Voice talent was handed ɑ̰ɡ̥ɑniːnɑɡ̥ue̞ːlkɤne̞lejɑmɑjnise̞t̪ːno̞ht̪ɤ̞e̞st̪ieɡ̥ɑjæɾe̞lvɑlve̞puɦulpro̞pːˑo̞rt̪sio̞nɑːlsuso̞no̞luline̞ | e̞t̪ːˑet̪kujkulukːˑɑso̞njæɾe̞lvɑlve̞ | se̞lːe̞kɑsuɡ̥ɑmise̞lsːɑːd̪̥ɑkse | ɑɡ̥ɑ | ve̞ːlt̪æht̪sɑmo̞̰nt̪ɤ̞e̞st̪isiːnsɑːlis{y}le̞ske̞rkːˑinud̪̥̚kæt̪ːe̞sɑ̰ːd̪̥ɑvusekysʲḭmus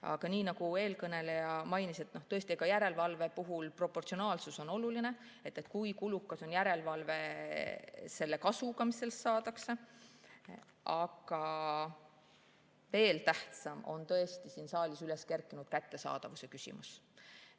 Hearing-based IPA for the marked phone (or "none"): y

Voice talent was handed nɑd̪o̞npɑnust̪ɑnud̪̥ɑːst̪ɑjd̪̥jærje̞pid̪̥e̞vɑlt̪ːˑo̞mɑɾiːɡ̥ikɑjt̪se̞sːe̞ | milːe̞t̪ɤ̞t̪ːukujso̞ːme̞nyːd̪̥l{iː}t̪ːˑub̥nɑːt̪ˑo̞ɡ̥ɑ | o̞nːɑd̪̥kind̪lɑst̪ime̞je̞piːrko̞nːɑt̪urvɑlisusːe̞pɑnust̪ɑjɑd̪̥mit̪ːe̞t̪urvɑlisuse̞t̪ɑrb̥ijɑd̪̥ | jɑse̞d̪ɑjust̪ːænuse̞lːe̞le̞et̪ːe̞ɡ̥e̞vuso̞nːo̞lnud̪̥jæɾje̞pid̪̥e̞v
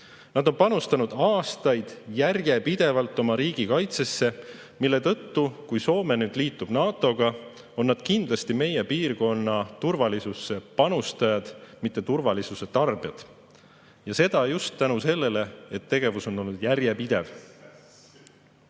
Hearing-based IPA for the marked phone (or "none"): iː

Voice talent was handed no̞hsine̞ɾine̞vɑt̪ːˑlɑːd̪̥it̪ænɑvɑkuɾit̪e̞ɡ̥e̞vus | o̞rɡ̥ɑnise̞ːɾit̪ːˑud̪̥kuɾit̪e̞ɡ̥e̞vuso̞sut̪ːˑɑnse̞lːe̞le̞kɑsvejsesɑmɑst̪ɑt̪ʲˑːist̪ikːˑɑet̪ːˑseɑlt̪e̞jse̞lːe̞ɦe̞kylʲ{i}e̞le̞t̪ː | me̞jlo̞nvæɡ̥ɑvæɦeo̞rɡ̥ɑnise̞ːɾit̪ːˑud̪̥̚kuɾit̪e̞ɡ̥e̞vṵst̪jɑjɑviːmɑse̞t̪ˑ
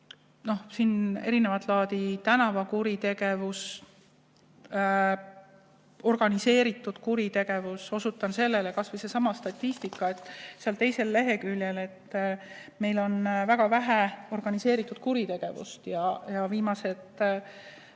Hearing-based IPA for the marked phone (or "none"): j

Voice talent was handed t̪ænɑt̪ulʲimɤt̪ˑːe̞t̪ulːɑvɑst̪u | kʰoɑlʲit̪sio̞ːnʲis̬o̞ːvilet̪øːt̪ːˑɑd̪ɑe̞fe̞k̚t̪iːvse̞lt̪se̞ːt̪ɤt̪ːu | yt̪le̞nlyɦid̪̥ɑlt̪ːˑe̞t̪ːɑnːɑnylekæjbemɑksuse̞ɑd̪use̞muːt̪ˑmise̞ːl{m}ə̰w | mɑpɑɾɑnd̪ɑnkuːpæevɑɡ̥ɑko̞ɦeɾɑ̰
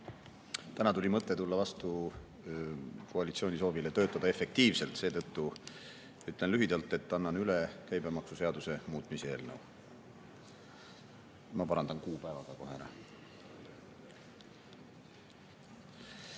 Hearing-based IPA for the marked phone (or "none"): n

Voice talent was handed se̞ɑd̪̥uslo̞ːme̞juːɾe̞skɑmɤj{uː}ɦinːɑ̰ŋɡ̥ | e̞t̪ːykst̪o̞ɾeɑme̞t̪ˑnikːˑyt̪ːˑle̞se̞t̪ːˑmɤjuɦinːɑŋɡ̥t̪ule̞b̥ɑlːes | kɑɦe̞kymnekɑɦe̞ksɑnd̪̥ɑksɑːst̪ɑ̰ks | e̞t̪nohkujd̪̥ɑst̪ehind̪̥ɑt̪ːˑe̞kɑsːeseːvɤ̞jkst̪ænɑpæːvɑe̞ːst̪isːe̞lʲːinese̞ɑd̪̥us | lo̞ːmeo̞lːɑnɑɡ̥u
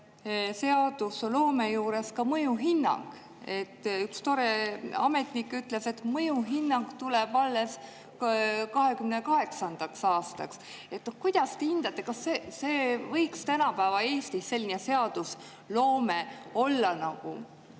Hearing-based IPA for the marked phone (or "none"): u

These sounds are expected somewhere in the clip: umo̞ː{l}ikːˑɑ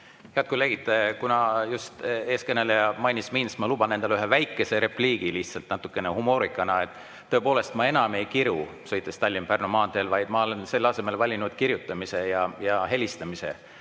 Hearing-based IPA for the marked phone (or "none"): ɾ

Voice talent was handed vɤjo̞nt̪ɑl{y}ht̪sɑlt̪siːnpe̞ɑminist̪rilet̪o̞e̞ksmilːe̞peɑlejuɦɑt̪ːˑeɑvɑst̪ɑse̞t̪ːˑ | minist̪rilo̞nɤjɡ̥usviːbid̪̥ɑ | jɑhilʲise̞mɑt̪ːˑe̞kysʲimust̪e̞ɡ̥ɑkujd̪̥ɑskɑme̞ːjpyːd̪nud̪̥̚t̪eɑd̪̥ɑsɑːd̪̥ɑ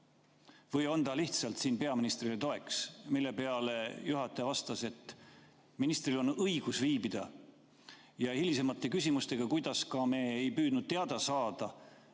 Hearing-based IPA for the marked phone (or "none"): i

